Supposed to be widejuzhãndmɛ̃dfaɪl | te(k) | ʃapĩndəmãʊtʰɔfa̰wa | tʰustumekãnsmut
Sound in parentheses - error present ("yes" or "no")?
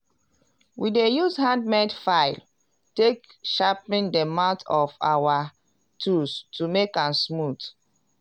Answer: no